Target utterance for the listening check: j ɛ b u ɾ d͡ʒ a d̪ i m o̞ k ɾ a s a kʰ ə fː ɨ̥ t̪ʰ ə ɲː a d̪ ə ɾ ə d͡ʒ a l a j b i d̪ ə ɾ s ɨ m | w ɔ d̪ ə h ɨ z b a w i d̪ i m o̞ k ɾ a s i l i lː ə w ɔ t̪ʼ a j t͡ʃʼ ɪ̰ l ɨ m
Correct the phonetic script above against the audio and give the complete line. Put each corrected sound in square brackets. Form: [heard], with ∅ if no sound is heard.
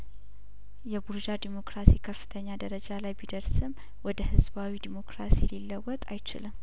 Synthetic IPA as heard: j ɛ b u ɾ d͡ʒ a d̪ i m o̞ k ɾ a s [i] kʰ ə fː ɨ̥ t̪ʰ ə ɲː a d̪ ə ɾ ə d͡ʒ a l a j b i d̪ ə ɾ s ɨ m | w ɔ d̪ ə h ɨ z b a w i d̪ i m o̞ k ɾ a s i l i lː ə w ɔ t̪ʼ a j [t͡ʃ] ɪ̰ l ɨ m

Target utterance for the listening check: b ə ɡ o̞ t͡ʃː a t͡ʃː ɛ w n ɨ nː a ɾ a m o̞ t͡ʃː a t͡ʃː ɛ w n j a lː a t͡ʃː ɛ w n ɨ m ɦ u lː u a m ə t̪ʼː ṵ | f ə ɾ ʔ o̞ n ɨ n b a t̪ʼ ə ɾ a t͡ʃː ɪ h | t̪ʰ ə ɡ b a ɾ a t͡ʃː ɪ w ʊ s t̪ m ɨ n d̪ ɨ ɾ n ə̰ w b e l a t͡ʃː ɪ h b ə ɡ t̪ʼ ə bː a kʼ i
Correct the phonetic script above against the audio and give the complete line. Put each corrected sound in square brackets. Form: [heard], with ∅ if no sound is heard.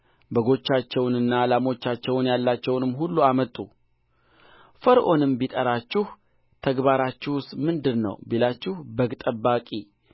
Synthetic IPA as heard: b ə ɡ o̞ t͡ʃː a t͡ʃː ɛ w n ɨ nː a [l] a m o̞ t͡ʃː a t͡ʃː ɛ w n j a lː a t͡ʃː ɛ w n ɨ m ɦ u lː u a m ə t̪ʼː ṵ | f ə ɾ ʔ o̞ n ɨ [m] b [i] t̪ʼ ə ɾ a t͡ʃː ɪ h | t̪ʰ ə ɡ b a ɾ a t͡ʃː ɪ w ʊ s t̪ m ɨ n d̪ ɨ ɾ n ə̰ w b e l a t͡ʃː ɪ h b ə ɡ t̪ʼ ə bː a kʼ i

